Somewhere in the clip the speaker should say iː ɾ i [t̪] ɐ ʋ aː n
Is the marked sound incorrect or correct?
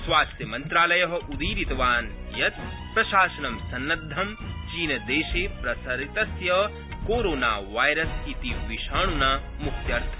correct